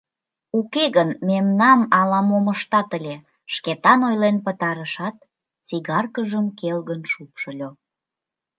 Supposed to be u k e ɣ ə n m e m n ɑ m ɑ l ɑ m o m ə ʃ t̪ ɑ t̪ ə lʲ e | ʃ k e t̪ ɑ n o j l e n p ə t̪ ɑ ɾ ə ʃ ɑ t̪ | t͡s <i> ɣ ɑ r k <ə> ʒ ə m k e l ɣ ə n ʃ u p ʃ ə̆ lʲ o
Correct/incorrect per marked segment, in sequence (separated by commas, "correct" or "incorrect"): correct, correct